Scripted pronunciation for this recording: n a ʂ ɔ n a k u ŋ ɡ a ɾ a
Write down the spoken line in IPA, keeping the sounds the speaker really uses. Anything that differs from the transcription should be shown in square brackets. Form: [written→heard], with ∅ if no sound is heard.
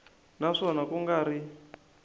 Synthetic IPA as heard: n a ʂ ɔ n a k u ŋ ɡ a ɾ [a→i]